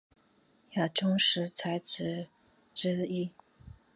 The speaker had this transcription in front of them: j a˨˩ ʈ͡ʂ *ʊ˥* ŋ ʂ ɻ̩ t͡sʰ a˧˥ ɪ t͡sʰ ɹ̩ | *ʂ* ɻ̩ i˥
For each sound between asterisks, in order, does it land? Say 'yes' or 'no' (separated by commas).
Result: yes, no